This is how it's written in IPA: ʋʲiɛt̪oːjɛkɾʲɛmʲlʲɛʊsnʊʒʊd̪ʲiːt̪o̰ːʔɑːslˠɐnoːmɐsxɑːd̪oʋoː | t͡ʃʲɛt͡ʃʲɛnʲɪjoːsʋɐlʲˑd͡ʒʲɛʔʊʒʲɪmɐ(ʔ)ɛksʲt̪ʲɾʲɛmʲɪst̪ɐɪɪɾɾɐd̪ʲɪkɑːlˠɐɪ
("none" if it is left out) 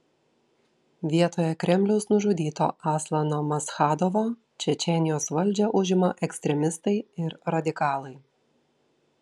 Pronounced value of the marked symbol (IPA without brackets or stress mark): ʔ